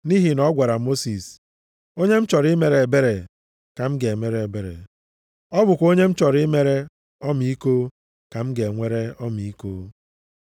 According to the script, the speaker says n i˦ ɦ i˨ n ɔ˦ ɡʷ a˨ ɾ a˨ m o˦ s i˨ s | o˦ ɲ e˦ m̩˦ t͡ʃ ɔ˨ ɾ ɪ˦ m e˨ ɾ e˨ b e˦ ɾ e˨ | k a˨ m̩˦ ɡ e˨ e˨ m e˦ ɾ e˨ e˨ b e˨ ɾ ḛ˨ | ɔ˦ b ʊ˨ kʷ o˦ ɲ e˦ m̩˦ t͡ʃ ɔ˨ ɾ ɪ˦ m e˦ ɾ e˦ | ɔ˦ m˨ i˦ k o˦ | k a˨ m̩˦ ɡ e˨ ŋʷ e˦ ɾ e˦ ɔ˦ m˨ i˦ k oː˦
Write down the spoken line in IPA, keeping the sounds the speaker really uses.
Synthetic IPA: n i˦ ɦ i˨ n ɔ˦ ɡʷ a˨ ɾ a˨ m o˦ s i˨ s | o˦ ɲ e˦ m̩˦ t͡ʃ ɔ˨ ɾ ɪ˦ m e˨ ɾ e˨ b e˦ ɾ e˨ | k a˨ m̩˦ ɡ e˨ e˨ m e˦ ɾ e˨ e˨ b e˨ ɾ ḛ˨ | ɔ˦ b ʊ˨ kʷ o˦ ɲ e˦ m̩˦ t͡ʃ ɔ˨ ɾ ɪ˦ m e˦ ɾ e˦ | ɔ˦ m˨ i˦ k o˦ | k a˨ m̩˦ ɡ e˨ ŋʷ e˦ ɾ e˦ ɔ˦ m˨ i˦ k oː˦